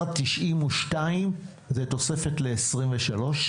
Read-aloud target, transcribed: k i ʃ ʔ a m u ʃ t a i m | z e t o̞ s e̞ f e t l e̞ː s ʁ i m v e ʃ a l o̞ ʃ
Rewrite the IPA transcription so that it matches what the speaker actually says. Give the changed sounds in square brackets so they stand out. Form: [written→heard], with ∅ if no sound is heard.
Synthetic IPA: [k→t] i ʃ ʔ [a→i] m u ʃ t a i m | z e t o̞ s e̞ f e t l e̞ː s ʁ i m v e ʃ a l o̞ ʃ